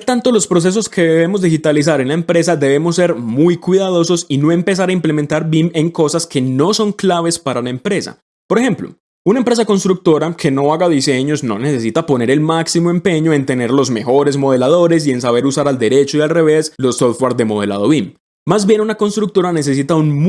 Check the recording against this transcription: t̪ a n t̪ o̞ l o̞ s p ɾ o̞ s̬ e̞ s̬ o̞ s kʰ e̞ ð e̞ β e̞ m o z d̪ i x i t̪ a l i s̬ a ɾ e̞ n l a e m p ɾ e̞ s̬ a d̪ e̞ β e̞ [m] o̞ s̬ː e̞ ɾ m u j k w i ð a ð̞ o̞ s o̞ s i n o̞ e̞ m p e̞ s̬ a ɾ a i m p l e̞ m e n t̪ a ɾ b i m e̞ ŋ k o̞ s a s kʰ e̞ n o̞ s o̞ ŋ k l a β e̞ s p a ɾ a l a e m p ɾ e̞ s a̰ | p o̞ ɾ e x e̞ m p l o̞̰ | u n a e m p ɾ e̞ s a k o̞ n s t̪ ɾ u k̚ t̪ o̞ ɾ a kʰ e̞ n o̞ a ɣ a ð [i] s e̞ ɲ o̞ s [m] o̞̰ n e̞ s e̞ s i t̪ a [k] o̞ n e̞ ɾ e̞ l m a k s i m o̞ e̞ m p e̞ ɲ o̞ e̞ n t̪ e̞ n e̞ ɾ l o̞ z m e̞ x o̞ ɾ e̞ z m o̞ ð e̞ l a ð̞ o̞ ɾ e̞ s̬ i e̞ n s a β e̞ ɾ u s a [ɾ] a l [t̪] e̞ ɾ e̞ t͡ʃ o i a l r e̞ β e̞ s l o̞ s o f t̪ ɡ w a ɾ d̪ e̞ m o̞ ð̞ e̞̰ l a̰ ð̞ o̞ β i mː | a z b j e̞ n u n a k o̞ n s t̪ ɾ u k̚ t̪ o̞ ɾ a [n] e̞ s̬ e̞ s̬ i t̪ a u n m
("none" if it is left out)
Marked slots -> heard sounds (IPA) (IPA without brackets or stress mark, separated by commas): m, i, n, p, ɾ, d̪, n